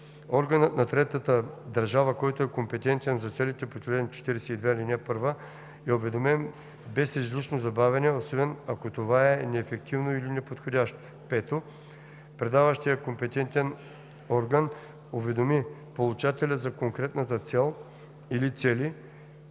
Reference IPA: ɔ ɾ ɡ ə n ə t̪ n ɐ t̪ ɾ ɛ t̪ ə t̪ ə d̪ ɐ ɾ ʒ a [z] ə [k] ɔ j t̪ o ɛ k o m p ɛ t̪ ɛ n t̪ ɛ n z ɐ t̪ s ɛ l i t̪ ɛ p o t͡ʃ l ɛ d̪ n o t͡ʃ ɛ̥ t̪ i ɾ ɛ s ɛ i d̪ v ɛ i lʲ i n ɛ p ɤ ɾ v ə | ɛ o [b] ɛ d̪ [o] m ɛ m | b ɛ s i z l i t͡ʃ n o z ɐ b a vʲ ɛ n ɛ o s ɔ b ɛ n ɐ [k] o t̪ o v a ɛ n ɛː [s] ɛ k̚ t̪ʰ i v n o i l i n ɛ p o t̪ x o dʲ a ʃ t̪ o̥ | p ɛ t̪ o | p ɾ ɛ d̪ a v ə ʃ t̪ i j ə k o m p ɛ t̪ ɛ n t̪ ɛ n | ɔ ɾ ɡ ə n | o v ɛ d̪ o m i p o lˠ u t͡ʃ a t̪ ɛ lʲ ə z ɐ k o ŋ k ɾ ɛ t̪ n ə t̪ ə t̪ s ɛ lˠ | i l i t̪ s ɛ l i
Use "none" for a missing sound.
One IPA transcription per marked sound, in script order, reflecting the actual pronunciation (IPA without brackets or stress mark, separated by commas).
v, k, v, o, k, f